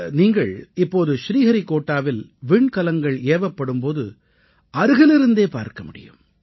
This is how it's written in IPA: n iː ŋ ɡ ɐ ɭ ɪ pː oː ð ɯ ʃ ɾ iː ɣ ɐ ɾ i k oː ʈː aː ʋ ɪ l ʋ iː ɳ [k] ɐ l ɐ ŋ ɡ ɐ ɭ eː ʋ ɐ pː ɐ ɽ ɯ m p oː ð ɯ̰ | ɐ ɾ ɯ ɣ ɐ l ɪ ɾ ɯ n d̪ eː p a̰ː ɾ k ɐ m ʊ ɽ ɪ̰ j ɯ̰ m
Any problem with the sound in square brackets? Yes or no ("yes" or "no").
no